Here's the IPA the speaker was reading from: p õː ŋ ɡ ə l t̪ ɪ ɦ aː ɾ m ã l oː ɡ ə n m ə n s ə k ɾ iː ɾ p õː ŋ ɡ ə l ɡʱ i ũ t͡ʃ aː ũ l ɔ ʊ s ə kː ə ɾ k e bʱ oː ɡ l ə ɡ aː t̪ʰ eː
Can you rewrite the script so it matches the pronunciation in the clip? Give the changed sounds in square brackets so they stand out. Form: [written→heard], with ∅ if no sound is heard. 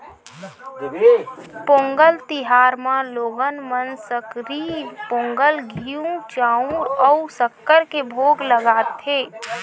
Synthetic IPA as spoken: p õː ŋ ɡ ə l t̪ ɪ ɦ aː ɾ m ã l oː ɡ ə n m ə n s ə k ɾ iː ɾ p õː ŋ ɡ ə l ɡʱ i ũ t͡ʃ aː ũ [l→ɾ] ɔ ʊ s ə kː ə ɾ k e bʱ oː ɡ l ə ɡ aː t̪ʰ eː